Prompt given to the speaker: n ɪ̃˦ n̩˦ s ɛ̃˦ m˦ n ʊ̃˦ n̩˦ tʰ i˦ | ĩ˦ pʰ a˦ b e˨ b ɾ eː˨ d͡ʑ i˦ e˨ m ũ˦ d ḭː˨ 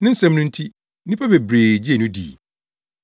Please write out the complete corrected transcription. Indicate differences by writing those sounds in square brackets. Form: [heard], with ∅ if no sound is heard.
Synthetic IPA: n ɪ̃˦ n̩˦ s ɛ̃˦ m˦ n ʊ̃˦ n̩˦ tʰ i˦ | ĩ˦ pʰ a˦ b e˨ b ɾ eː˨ d͡ʑ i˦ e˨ [n] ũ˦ d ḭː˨